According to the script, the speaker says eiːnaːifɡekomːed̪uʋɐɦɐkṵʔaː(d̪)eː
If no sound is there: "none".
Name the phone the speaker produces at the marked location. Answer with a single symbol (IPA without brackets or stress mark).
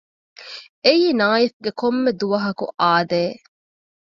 d̪